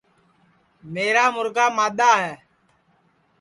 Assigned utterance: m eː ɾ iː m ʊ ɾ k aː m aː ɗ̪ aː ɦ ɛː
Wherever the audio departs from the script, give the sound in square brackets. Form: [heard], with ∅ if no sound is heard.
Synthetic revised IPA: m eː ɾ [aː] m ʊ ɾ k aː m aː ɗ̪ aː ɦ ɛː